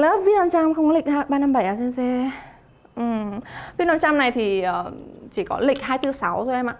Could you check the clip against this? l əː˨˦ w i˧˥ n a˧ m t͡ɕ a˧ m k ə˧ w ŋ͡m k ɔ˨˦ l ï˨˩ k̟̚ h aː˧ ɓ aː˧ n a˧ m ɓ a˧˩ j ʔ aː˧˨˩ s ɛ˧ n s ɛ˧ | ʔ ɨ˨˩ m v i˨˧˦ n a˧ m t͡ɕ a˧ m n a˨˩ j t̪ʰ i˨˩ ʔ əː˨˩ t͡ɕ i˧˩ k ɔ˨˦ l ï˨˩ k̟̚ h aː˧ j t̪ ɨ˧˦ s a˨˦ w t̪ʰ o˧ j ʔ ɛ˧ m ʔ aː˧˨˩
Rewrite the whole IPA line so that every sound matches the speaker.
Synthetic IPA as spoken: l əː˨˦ v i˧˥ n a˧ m t͡ɕ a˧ m x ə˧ w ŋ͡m k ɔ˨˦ l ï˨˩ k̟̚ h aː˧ ɓ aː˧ n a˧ m ɓ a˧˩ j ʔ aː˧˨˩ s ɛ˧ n s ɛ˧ | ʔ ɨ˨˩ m v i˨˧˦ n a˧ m t͡ɕ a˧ m n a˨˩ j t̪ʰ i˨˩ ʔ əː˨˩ t͡ɕ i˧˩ k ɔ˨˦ l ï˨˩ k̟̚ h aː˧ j t̪ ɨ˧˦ s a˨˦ w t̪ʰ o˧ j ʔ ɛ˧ m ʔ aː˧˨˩